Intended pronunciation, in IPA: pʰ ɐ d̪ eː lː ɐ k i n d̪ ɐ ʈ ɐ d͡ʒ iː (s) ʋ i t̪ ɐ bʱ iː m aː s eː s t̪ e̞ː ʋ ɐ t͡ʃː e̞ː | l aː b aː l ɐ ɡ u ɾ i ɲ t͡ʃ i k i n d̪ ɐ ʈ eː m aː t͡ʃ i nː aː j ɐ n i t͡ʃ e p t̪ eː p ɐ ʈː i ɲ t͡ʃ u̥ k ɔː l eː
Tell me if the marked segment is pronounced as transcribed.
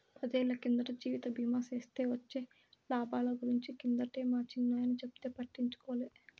no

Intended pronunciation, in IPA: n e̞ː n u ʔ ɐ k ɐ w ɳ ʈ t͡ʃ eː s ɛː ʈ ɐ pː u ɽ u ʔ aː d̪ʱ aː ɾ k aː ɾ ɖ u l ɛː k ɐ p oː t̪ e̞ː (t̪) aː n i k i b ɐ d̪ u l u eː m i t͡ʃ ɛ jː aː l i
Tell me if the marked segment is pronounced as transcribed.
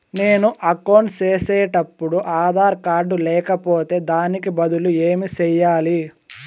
no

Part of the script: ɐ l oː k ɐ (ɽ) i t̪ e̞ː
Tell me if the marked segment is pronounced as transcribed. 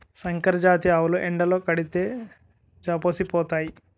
yes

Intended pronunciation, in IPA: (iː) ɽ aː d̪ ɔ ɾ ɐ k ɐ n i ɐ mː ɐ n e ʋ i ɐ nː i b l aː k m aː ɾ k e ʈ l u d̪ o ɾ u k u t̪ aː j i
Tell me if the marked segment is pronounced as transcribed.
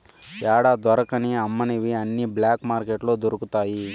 no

